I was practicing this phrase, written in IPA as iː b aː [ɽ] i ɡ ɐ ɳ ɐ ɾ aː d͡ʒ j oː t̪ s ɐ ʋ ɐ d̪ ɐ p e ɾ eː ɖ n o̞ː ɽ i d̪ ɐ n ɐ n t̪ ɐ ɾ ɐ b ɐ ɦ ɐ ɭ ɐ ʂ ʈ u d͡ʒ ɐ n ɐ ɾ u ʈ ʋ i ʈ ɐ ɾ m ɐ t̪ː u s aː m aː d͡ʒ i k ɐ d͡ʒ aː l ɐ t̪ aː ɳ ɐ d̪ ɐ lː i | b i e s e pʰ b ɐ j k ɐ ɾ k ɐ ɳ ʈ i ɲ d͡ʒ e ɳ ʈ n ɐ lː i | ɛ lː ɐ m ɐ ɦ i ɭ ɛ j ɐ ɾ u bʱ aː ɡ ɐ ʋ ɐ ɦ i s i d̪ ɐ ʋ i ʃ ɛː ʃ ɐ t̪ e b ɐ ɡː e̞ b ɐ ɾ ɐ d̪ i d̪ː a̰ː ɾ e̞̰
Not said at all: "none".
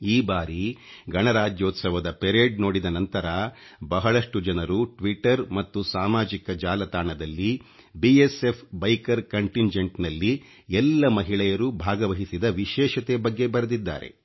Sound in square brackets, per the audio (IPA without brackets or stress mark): ɾ